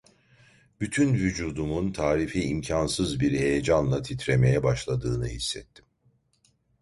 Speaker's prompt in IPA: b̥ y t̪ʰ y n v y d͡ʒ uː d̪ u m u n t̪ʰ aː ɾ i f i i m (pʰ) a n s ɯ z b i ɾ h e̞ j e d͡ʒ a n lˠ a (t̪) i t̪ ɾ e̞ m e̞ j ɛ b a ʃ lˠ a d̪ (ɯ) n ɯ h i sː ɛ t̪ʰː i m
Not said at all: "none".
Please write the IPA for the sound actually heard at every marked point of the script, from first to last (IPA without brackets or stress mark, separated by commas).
cʰ, t̪ʰ, ɯː